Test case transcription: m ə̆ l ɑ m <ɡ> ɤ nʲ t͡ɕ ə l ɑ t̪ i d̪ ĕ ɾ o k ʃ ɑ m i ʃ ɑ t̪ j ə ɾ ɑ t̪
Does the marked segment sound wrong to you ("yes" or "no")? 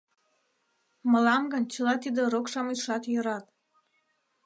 no